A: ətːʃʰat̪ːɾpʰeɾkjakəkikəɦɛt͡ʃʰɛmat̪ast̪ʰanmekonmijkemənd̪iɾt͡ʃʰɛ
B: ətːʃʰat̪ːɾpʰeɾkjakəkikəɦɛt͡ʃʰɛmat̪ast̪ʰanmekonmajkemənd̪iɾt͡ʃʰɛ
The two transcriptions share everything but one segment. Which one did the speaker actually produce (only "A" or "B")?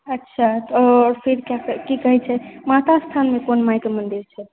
B